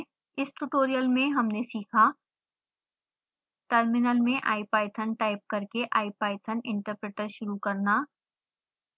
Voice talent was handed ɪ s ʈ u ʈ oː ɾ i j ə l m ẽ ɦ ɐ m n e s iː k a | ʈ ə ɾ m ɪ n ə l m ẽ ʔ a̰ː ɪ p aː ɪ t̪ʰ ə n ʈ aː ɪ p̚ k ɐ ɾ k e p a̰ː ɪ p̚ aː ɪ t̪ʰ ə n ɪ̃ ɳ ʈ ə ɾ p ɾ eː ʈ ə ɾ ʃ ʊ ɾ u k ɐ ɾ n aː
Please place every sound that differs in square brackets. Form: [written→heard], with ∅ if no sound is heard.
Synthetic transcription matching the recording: ɪ s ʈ u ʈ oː ɾ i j ə l m ẽ ɦ ɐ m n e s iː [k→kʰ] a | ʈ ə ɾ m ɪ n ə l m ẽ ʔ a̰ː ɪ p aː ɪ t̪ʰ ə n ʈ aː ɪ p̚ k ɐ ɾ k e [p→ʔ] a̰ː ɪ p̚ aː ɪ t̪ʰ ə n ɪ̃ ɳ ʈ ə ɾ p ɾ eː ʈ ə ɾ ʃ ʊ ɾ u k ɐ ɾ n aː